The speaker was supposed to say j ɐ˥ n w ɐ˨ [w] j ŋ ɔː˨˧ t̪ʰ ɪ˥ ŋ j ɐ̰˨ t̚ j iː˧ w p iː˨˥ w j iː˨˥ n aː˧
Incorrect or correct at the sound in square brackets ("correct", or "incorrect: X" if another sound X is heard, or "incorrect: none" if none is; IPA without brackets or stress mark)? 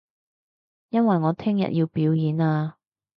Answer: incorrect: none